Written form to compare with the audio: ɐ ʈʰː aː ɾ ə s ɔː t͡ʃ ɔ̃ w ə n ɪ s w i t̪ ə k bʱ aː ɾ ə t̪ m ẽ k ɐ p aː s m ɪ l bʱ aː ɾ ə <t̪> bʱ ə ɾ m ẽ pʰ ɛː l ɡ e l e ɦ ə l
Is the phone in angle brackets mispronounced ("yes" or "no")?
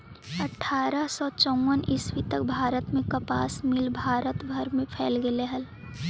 no